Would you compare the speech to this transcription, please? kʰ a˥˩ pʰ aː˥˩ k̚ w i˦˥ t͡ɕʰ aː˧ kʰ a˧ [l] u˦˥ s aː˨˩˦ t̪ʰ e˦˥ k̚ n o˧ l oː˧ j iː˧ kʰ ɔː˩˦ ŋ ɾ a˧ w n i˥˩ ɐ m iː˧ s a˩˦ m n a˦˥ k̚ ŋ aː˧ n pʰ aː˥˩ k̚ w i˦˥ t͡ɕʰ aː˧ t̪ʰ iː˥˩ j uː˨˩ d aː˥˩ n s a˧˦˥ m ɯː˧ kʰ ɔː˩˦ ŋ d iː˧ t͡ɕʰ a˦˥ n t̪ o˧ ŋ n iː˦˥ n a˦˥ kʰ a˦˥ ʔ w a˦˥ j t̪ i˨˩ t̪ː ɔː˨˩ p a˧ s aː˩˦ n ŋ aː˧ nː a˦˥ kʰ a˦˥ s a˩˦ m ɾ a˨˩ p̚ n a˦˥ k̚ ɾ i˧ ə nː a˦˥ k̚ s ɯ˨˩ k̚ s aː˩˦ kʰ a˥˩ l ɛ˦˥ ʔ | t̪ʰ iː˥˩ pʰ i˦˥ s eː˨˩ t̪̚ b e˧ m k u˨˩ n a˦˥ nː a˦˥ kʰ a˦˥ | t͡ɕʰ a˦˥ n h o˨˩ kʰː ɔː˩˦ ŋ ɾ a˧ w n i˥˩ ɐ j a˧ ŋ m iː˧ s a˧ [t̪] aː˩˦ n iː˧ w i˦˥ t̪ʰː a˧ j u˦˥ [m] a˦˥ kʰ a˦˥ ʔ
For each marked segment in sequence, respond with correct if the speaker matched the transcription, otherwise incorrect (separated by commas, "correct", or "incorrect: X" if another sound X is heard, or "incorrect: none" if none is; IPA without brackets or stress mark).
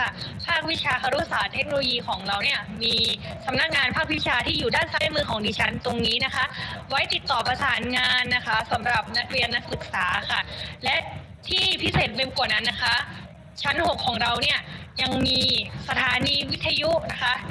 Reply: incorrect: ɾ, incorrect: t̪ʰ, incorrect: n